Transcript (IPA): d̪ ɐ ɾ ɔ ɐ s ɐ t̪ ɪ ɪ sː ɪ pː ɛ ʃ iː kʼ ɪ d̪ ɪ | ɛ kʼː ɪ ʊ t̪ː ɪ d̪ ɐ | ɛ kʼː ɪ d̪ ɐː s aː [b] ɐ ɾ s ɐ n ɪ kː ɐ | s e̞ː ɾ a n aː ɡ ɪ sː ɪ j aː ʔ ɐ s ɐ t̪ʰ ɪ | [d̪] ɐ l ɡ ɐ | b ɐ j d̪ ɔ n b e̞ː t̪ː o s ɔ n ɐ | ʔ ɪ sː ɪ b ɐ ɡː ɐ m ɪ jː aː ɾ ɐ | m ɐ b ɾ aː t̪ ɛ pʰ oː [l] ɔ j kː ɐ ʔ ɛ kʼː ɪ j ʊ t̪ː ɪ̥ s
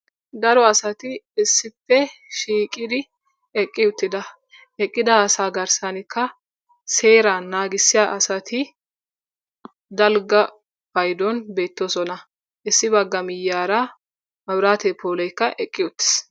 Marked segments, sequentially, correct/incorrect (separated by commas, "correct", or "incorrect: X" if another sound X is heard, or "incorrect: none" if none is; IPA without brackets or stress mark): incorrect: ɡ, correct, correct